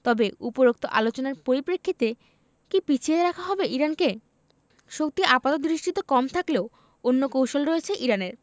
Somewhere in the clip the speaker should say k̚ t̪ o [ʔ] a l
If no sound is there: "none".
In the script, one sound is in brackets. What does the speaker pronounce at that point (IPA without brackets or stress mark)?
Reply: ʔ